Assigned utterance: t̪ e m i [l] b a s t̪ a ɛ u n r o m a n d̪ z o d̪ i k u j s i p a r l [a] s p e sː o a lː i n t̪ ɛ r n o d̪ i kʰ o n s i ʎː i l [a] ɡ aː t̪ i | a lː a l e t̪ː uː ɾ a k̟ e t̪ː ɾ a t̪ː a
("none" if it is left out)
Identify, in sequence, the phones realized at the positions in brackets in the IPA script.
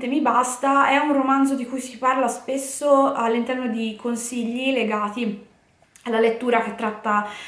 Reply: none, a, e

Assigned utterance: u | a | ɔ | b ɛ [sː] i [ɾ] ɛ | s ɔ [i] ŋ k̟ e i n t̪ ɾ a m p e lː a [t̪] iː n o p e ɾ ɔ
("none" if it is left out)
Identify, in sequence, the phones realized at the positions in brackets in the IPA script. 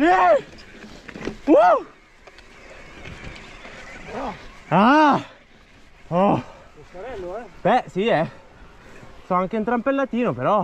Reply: s, none, a, t̪

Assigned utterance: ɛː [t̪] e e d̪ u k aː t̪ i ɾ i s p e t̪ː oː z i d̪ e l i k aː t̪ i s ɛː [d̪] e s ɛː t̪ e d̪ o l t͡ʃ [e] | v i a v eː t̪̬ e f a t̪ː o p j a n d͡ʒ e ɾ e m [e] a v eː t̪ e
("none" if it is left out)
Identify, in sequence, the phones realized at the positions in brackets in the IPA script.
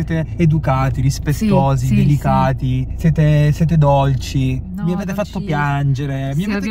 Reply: t̪, t̪, i, i

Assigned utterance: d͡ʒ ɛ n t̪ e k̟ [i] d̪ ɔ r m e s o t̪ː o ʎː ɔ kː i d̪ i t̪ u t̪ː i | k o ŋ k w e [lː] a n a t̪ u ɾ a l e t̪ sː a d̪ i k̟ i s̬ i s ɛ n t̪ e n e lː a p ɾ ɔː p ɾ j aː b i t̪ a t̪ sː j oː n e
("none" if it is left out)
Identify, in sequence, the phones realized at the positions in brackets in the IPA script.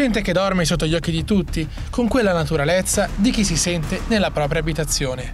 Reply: e, lː

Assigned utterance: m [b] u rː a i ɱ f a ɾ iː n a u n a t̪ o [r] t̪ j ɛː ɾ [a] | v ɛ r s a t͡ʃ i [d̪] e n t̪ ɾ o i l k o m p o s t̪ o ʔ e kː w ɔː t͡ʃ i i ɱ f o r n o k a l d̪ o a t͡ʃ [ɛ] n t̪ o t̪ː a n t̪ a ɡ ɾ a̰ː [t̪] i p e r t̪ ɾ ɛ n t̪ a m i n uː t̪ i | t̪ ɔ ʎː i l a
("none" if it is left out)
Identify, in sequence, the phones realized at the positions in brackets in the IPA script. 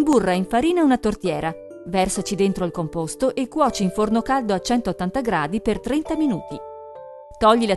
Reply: b, r, a, d̪, ɛ, d̪

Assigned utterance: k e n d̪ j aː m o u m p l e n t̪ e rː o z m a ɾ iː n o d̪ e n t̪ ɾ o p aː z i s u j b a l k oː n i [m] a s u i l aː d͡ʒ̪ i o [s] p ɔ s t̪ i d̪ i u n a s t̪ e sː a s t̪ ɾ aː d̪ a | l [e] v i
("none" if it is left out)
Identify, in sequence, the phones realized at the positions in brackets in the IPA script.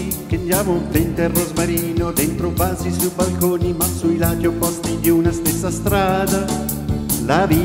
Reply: m, none, a

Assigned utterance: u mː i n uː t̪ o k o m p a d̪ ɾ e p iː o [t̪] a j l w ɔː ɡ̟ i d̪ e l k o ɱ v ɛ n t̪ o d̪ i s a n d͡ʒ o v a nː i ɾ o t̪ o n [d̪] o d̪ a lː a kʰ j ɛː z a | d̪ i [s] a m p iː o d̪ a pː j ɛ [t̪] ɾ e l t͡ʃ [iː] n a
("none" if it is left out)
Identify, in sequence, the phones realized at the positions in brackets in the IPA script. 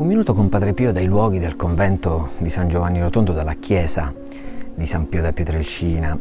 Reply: d̪, d̪, s, t̪, iː

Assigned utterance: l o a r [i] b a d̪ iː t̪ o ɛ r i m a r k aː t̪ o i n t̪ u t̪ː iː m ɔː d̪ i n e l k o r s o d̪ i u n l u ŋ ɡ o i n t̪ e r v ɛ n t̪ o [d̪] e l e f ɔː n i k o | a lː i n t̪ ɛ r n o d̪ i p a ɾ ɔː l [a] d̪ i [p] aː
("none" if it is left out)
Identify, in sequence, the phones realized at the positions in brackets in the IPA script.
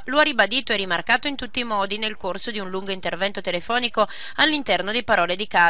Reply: i, t̪, e, k

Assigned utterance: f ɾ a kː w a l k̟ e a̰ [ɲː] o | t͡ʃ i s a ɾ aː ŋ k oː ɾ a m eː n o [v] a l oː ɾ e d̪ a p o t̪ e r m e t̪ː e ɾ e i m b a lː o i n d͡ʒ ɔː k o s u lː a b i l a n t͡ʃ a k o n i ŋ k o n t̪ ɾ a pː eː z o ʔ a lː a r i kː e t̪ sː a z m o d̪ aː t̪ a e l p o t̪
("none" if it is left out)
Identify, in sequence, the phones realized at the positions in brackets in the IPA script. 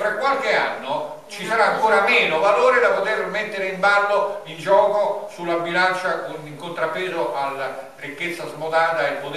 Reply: nː, v

